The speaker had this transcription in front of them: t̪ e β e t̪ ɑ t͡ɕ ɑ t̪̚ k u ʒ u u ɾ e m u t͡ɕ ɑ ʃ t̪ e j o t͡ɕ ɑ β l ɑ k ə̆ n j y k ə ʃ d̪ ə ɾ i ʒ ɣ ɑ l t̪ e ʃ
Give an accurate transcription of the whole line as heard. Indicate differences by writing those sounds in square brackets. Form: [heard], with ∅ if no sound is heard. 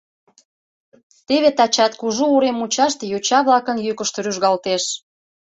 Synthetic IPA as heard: t̪ e β e t̪ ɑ t͡ɕ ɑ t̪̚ k u ʒ u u ɾ e m u t͡ɕ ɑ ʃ t̪ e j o t͡ɕ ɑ β l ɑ k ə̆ n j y k ə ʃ [t̪] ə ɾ [y] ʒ ɣ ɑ l t̪ e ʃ